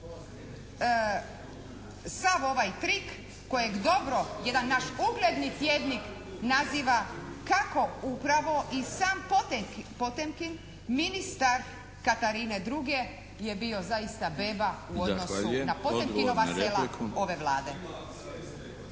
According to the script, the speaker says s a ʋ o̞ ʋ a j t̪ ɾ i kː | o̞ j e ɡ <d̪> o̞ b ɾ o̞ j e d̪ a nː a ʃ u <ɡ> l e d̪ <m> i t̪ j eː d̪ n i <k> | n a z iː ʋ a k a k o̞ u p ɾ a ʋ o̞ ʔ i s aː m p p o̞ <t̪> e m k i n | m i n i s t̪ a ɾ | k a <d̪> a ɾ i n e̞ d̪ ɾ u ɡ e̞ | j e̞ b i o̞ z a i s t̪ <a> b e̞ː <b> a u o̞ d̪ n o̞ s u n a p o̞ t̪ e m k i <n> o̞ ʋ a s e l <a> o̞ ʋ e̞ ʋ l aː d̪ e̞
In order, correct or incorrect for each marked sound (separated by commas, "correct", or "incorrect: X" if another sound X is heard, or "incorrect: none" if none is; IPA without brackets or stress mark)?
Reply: correct, correct, incorrect: n, correct, correct, incorrect: t̪, correct, correct, correct, correct